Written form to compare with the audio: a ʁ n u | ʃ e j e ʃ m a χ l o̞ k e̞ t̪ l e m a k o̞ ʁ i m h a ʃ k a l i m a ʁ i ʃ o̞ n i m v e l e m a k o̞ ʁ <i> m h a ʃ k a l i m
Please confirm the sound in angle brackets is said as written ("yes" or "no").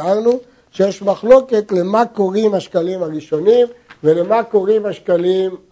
yes